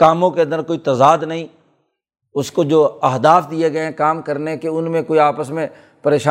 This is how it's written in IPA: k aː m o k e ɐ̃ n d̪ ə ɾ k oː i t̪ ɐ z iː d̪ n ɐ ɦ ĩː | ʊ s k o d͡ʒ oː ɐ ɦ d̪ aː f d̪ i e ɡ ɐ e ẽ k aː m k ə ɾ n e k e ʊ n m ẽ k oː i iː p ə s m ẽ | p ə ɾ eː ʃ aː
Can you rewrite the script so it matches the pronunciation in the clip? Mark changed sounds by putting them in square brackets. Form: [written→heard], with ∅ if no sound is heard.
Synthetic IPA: k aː m [o→õ] k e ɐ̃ n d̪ ə ɾ k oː i t̪ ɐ z [iː→aː] d̪ n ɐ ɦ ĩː | ʊ s k o d͡ʒ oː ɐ ɦ d̪ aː f d̪ i e ɡ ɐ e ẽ k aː m k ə ɾ n e k e ʊ n m ẽ k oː i [iː→aː] p ə s m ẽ | p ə ɾ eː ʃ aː